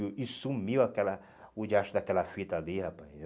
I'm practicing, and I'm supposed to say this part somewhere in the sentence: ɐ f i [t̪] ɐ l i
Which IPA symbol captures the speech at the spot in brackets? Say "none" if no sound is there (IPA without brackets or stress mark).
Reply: t̪